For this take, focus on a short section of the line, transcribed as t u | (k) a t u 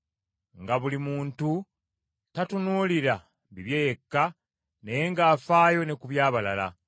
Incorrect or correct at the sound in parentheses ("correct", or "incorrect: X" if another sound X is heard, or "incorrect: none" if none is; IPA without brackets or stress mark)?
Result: incorrect: t